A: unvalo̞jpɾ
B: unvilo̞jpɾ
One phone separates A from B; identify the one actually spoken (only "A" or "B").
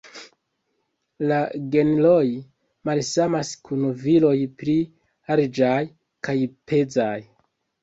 B